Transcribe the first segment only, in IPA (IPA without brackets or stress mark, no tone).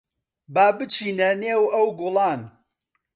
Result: b